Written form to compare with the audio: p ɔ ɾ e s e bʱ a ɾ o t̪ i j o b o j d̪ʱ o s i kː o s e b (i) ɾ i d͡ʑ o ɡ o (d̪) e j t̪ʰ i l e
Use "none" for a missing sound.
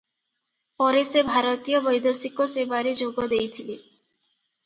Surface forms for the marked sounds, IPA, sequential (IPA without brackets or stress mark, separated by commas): a, d̪